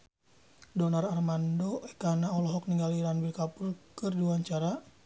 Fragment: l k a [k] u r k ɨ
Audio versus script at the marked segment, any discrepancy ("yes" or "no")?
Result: yes